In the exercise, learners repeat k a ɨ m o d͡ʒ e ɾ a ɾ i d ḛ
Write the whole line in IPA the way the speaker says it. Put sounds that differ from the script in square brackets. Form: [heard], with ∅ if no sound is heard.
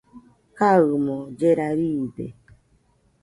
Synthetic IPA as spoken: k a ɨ m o d͡ʒ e ɾ a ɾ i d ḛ